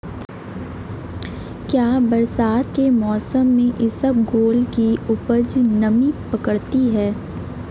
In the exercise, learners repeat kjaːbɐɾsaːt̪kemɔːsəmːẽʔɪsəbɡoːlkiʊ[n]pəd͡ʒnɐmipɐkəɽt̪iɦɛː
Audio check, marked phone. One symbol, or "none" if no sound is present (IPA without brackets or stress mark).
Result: none